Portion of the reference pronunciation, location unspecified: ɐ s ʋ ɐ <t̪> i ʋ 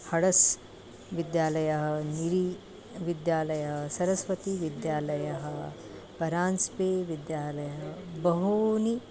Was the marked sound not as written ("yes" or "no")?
no